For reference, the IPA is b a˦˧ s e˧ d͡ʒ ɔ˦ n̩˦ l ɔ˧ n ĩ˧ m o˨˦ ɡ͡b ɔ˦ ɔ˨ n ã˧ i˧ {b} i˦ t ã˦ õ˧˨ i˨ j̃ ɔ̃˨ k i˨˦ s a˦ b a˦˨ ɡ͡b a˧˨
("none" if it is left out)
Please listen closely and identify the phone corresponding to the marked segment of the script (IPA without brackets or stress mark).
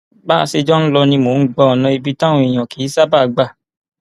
b